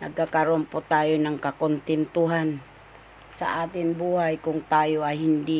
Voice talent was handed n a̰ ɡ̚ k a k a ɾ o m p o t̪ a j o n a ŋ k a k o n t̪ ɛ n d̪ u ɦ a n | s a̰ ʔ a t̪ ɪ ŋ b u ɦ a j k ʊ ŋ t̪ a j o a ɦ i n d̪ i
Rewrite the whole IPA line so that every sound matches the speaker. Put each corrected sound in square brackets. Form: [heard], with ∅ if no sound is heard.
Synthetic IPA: n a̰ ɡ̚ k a k a ɾ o m p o t̪ a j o n a ŋ k a k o n t̪ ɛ n [t̪] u ɦ a n | s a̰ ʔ a t̪ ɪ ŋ b u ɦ a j k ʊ ŋ t̪ a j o a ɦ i n d̪ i